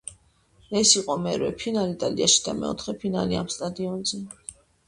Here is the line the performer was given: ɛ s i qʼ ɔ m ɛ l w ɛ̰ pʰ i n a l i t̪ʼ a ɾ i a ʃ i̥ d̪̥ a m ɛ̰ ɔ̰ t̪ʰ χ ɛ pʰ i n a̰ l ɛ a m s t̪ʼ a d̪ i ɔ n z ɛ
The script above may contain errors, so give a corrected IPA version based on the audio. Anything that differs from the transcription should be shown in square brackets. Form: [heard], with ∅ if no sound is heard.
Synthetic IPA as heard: ɛ s i qʼ ɔ m ɛ [ɾ] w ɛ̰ pʰ i n a l i t̪ʼ a [l] i a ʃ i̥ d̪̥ a m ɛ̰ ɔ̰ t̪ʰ χ ɛ pʰ i n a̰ l [i] a m s t̪ʼ a d̪ i ɔ n z ɛ